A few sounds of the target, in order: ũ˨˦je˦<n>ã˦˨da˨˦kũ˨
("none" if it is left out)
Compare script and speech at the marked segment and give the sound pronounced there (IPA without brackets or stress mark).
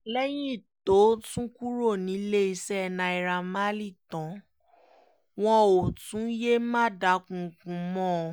m